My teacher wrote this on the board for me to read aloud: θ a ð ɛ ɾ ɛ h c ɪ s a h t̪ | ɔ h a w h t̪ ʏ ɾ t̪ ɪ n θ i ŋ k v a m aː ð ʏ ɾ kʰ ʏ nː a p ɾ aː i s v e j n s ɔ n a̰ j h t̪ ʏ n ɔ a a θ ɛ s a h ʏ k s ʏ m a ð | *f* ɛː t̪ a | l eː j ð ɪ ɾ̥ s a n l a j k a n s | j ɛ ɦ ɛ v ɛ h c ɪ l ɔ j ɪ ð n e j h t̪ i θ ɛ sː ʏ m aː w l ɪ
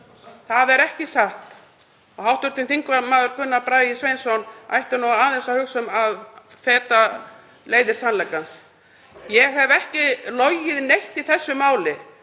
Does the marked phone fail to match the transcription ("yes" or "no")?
no